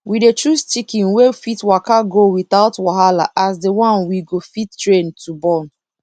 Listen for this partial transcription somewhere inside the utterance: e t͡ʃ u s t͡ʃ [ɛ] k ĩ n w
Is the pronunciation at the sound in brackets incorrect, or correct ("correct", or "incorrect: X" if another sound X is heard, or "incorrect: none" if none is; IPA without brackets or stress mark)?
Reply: incorrect: i